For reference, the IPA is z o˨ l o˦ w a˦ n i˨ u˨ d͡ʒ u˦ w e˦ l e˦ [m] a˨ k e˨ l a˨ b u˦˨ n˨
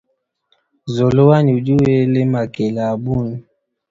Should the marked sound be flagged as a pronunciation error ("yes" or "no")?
no